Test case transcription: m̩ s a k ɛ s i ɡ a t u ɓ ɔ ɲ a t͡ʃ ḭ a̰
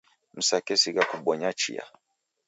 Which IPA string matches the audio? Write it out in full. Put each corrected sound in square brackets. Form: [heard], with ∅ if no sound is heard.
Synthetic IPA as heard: m̩ s a k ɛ s i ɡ a [k] u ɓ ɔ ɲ a t͡ʃ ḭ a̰